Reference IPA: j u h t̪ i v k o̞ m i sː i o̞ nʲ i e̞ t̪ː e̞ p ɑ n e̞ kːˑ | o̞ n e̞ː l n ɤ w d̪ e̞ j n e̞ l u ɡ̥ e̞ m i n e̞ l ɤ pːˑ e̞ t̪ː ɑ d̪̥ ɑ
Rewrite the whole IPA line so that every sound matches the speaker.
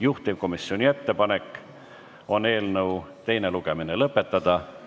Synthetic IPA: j u h t̪ i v k o̞ m i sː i o̞ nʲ i e̞ t̪ː e̞ p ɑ n e̞ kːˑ | o̞ n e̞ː l n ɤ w t̪ e̞ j n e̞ l u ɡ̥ e̞ m i n e̞ l ɤ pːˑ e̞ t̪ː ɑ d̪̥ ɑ